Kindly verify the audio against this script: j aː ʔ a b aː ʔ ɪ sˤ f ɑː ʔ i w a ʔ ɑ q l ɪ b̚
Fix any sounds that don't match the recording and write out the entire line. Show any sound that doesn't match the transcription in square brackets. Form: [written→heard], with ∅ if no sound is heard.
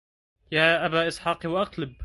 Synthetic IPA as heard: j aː ʔ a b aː ʔ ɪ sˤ [f→ħ] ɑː [ʔ→q] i w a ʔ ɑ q l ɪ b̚